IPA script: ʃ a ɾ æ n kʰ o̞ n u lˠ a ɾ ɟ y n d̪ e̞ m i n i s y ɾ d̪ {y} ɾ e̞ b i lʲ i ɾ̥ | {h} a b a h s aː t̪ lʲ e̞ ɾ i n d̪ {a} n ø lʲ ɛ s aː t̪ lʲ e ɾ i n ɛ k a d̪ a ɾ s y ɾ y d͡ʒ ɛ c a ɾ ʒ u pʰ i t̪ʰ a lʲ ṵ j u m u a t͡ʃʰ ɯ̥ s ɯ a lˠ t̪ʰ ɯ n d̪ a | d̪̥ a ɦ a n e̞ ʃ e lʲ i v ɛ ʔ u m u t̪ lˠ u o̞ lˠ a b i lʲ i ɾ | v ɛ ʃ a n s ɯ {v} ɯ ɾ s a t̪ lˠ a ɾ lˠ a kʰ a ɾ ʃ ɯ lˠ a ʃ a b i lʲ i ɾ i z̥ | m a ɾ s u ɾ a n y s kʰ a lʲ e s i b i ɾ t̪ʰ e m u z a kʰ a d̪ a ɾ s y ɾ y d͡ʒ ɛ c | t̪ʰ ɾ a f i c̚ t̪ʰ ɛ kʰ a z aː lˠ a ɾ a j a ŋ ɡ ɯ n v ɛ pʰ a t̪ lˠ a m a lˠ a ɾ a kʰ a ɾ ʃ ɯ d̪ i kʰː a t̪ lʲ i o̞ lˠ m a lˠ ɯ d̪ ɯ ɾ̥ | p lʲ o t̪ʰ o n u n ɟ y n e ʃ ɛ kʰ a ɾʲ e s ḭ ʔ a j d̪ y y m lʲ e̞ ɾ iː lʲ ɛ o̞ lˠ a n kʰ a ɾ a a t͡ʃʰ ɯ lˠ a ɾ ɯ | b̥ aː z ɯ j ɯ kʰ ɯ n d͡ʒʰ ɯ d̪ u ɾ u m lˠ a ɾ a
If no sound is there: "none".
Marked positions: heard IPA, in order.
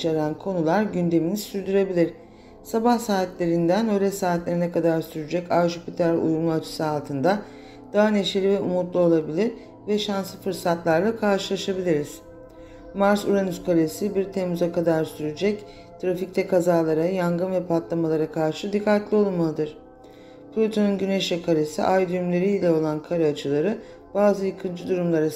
y, s, æ, f

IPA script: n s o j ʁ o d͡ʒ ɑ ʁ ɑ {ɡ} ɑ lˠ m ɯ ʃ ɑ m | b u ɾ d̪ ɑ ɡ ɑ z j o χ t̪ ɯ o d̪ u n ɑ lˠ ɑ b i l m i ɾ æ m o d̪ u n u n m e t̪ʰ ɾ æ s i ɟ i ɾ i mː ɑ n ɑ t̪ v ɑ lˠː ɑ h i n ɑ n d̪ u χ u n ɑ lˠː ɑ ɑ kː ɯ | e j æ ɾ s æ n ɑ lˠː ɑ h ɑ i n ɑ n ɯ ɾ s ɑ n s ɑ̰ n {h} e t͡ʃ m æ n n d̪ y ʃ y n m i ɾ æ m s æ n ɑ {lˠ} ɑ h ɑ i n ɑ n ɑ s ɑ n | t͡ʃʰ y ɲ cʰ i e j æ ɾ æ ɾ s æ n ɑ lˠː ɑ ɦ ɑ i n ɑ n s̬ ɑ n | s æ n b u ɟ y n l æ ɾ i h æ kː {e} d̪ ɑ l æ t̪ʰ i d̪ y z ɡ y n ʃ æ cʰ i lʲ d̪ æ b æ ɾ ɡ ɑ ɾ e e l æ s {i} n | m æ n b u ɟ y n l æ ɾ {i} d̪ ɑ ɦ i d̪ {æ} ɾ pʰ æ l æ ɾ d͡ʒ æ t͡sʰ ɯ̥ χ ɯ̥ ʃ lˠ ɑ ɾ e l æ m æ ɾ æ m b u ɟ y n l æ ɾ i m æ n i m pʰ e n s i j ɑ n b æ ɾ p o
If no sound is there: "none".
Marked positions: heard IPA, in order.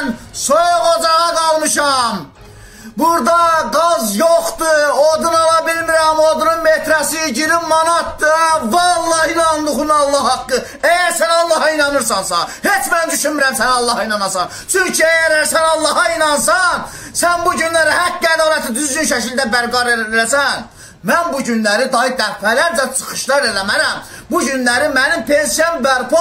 ɡ, h, lˠː, æ, æ, i, æ

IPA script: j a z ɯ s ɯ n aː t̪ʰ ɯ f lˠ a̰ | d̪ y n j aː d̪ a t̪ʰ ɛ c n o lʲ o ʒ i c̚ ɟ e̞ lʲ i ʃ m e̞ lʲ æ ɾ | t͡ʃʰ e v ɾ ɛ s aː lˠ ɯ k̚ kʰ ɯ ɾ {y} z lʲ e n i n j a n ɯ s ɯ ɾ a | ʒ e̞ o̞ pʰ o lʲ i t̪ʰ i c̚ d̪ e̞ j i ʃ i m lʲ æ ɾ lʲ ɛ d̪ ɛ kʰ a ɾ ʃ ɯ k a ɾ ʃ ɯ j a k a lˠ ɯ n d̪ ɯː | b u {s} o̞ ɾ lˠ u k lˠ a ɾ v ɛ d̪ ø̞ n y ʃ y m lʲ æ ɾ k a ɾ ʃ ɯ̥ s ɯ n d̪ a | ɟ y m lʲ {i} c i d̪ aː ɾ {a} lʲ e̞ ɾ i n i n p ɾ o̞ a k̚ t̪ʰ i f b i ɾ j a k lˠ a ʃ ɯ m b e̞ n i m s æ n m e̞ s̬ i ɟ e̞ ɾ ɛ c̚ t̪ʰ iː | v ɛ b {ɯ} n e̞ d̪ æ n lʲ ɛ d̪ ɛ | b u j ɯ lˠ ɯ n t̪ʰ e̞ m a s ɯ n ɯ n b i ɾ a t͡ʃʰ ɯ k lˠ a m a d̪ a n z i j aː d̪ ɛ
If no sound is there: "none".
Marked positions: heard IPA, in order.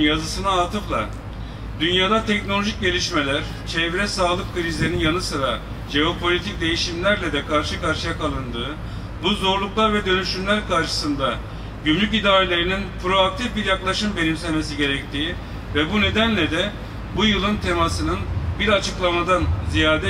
i, z, y, e, u

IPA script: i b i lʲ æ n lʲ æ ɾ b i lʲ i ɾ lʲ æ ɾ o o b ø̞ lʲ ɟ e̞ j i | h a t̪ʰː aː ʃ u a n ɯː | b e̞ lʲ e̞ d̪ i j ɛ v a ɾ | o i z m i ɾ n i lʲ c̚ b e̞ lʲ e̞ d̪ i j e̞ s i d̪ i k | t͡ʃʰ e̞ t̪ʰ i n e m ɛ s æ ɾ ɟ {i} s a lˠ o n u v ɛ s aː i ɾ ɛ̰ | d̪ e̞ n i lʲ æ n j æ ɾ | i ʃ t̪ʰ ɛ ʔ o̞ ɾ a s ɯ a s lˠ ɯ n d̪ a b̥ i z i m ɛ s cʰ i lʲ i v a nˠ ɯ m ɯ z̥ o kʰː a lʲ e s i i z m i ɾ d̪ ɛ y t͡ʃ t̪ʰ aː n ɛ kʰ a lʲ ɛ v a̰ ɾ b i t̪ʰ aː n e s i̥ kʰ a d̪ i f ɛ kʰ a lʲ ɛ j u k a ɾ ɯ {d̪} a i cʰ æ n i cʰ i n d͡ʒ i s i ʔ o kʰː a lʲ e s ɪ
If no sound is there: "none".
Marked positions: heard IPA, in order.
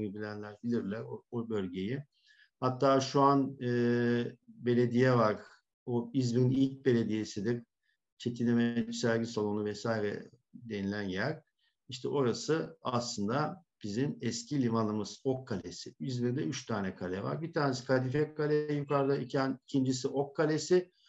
i, d̪

